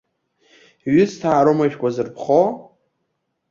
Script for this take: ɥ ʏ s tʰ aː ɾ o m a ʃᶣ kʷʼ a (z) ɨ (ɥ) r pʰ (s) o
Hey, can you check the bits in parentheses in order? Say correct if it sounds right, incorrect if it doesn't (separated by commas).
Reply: correct, incorrect, incorrect